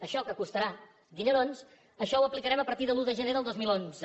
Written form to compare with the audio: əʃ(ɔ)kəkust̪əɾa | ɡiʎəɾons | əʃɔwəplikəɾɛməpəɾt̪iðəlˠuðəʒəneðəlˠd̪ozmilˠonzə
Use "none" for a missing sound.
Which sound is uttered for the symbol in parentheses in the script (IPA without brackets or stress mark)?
ɔ